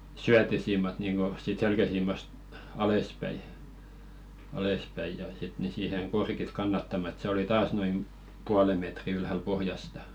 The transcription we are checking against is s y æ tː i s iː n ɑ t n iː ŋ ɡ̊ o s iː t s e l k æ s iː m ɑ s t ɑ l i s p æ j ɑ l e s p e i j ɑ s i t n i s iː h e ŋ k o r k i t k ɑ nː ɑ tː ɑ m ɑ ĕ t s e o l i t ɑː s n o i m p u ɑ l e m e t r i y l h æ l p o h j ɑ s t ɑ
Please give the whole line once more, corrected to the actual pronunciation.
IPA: s y æ tː i s iː m ɑ t n iː ŋ ɡ̊ o s iː t s e l k æ s iː m ɑ s t ɑ l e s p æ i ɑ l e s p æ i j ɑ s i t n i s iː h e ŋ k o r k i t k ɑ nː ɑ tː ɑ m ɑ ĕ t s e o l i t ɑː s n o i m p u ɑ l e m e t r i y l h æ l p o h j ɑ s t ɑ